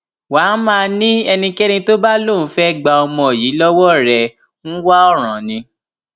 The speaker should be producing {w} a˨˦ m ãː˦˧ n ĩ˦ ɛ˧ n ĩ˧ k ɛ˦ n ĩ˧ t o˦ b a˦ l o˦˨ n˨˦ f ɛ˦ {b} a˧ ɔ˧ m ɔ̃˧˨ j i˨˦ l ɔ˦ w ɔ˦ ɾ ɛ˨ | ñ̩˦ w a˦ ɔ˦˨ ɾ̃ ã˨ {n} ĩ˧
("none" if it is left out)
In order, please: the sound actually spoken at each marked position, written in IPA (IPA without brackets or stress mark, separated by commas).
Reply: w, ɡ͡b, n